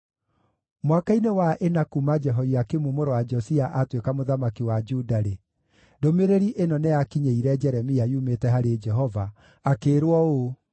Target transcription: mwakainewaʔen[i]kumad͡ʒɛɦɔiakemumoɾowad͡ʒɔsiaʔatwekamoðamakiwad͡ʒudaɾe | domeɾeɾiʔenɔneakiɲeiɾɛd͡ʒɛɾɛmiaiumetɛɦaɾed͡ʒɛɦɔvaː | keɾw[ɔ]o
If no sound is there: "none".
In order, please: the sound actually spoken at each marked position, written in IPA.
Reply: a, ɔ

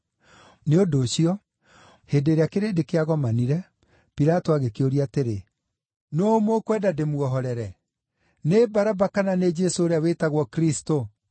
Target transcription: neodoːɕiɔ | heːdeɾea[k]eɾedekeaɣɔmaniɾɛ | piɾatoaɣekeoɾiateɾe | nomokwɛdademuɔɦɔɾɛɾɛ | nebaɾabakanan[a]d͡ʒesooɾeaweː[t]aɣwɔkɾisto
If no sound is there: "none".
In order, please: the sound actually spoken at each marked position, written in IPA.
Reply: k, e, t

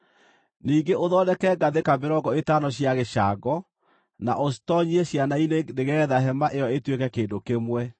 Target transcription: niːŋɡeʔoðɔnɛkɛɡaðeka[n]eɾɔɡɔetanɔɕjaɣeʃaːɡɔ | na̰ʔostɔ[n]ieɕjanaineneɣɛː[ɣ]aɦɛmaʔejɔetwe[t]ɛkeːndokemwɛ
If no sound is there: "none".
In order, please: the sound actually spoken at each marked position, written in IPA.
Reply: m, ɲ, ð, k

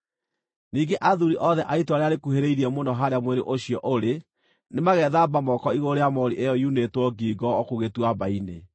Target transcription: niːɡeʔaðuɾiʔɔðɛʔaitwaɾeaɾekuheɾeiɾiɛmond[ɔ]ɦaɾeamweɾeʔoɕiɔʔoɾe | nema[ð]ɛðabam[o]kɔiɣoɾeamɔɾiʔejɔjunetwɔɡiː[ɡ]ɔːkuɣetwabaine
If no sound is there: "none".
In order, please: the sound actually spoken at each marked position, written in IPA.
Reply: ɔ, ɣ, ɔ, ɡ

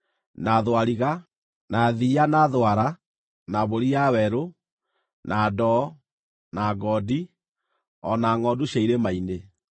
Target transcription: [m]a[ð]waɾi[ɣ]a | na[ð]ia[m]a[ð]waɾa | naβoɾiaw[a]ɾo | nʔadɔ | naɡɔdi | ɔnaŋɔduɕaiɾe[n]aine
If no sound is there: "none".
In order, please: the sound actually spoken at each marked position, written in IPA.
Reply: n, ð, ɣ, ð, n, ð, ɛ, m

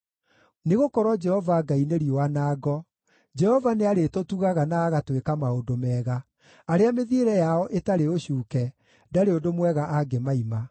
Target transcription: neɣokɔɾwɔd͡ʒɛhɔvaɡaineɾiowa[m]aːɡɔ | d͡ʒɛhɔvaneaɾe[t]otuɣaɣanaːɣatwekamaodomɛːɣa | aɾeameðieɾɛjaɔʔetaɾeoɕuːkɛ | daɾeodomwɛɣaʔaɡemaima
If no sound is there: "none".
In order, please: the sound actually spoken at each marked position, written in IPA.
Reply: n, t

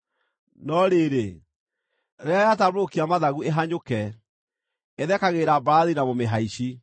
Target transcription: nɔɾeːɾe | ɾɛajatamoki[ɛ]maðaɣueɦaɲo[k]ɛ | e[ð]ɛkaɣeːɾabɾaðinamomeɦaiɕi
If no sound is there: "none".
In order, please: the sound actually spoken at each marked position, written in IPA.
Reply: a, k, ð

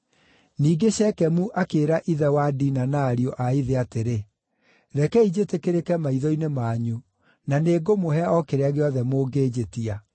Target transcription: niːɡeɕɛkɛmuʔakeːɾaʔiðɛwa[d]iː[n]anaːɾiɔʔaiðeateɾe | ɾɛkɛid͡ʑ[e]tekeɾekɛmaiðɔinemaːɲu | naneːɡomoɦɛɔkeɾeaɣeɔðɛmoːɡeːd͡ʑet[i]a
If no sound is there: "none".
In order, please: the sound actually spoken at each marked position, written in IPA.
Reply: d, n, e, i

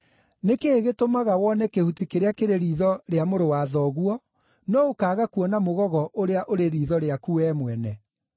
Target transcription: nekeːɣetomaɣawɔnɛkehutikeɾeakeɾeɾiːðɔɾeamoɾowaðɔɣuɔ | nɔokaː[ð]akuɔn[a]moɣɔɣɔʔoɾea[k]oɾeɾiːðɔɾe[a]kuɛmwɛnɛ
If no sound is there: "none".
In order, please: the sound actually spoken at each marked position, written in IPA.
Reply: ɣ, a, ʔ, a

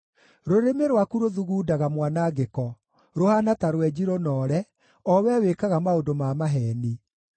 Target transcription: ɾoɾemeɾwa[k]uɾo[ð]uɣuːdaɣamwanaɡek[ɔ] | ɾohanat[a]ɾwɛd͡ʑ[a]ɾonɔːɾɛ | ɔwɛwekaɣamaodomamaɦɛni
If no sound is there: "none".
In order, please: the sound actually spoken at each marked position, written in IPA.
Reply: k, ð, ɔ, a, i

